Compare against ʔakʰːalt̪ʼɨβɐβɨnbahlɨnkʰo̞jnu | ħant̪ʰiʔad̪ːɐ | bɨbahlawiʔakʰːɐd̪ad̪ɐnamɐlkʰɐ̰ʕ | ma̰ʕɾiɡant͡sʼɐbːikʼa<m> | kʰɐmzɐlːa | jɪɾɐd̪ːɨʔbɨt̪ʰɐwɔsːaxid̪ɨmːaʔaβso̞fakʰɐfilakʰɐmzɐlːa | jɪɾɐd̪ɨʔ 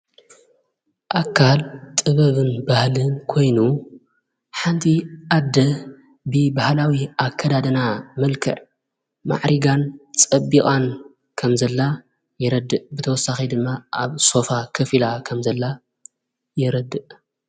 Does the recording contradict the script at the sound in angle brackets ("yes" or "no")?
yes